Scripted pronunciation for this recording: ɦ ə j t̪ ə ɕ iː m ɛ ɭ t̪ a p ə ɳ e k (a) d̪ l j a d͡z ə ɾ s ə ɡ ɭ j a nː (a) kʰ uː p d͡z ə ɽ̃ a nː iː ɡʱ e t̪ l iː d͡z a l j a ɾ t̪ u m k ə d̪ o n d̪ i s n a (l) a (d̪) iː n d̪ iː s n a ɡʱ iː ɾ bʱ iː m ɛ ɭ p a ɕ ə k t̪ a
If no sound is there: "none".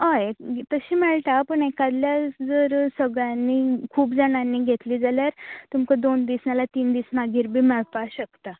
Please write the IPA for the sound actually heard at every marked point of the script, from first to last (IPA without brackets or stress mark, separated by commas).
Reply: a, i, l, t̪